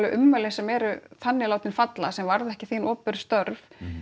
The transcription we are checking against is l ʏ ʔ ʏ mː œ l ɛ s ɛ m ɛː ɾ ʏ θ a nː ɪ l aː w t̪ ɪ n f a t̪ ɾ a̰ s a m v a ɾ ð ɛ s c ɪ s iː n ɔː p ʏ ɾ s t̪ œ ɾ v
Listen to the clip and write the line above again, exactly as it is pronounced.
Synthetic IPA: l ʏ ʔ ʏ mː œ l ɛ s ɛ m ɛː ɾ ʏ θ a nː ɪ l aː w t̪ ɪ n f a t̪ l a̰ s ɛ m v a ɾ ð ɛ h c ɪ θ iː n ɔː p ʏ ɾ s t̪ œ ɾ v